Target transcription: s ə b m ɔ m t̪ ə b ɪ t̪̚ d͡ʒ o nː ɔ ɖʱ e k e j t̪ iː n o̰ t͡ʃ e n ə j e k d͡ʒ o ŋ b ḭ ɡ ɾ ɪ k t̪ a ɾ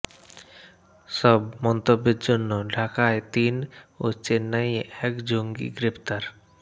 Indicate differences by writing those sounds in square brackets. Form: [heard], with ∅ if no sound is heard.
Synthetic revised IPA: s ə b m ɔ [n] t̪ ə b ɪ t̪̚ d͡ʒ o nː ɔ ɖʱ [a] k [a] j t̪ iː n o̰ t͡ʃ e n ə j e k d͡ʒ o ŋ [ɡ] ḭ ɡ ɾ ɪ [p] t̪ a ɾ